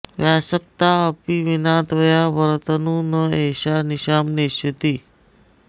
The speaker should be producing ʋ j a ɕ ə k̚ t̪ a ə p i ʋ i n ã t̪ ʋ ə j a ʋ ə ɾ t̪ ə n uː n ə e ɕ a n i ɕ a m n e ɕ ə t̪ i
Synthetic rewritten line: ʋ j a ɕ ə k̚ t̪ a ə p i ʋ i n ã t̪ ʋ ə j a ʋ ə ɾ t̪ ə n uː n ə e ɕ a n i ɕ a m n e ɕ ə t̪ i